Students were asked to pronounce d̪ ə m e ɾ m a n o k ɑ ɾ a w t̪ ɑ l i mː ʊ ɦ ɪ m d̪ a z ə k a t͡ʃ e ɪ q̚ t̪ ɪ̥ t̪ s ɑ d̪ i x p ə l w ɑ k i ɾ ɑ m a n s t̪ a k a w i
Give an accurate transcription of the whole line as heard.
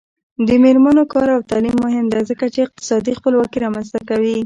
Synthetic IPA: d̪ ə m e ɾ m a n o k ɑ ɾ a w t̪ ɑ l i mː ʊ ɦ ɪ m d̪ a z ə k a t͡ʃ e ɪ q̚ t̪ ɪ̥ s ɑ d̪ i x p ə l w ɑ k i ɾ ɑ m a n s t̪ a k a w i